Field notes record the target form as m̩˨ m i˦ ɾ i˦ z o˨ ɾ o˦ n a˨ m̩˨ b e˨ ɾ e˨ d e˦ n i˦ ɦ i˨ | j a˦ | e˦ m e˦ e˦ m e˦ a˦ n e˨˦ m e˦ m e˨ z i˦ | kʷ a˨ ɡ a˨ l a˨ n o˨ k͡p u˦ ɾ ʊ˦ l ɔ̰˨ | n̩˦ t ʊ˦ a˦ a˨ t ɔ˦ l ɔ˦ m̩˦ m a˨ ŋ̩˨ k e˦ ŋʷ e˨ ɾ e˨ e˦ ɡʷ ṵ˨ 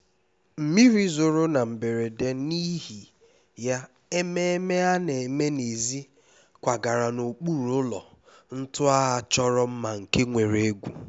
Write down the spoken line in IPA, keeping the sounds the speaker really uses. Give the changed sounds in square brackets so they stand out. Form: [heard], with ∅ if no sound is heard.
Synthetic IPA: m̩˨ m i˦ ɾ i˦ z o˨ ɾ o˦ n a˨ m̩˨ b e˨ ɾ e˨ d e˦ n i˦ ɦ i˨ | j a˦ | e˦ m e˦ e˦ m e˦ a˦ n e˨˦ m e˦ [n] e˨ z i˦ | kʷ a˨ ɡ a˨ [ɾ] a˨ n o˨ k͡p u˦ ɾ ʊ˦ l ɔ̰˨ | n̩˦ t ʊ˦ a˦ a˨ [t͡ʃ] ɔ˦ [ɾ] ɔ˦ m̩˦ m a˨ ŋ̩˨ k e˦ ŋʷ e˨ ɾ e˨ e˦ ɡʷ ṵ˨